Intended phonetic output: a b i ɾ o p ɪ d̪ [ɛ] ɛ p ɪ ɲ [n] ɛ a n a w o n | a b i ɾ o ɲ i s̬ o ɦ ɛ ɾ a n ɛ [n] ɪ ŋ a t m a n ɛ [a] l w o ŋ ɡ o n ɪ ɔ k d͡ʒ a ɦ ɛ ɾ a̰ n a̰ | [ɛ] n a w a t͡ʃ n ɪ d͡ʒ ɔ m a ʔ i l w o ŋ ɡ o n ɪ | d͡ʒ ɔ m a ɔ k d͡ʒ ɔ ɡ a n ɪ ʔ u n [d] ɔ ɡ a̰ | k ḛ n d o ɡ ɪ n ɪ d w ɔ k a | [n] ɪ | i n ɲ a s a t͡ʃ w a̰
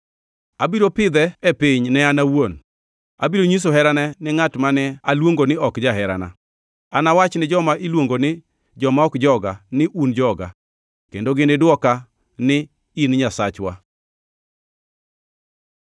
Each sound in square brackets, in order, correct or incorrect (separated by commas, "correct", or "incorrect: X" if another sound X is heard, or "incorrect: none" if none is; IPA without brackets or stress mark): correct, correct, correct, correct, incorrect: a, incorrect: d͡ʒ, correct